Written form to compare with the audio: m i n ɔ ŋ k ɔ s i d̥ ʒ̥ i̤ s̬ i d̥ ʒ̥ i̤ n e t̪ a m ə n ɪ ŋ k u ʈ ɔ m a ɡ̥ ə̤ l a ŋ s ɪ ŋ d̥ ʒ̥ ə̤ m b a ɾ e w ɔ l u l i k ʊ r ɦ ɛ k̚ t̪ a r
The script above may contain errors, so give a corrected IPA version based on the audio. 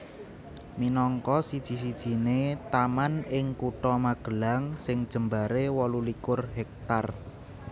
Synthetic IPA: m i n ɔ ŋ k ɔ s i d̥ ʒ̥ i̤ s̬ i d̥ ʒ̥ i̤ n e t̪ a m a n ɪ ŋ k u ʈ ɔ m a ɡ̥ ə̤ l a ŋ s ɪ ŋ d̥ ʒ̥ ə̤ m b a ɾ e w ɔ l u l i k ʊ r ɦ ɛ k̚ t̪ a r